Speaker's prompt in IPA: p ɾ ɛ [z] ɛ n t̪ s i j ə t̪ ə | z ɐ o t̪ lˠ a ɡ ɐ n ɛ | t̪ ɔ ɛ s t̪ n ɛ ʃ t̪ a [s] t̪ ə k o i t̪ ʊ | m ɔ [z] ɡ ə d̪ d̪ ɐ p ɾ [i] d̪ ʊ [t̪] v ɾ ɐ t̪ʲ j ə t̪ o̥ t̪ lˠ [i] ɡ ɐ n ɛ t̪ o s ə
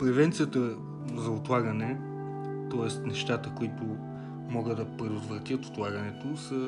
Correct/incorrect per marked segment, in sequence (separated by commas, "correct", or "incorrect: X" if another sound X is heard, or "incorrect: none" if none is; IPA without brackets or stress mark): incorrect: v, incorrect: none, incorrect: none, incorrect: ɛ, correct, incorrect: a